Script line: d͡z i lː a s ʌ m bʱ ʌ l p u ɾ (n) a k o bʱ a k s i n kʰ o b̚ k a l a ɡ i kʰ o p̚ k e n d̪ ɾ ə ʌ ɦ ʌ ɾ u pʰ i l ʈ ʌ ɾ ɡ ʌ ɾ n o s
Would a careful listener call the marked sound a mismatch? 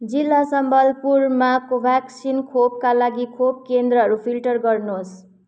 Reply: yes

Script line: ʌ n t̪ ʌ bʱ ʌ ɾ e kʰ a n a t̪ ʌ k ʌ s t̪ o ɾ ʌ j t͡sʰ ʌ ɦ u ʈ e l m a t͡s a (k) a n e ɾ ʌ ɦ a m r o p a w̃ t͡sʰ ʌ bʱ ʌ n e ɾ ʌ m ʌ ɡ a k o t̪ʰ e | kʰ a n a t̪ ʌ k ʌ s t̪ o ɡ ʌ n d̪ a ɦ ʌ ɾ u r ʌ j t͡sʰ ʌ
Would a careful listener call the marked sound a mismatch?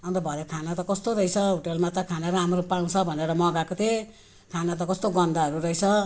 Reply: yes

